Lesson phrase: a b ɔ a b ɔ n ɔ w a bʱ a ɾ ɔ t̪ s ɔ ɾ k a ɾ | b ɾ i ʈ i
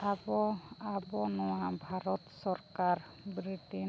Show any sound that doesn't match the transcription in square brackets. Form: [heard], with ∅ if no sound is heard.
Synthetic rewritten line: a b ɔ a b ɔ n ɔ w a bʱ a ɾ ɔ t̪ s ɔ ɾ k a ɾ | b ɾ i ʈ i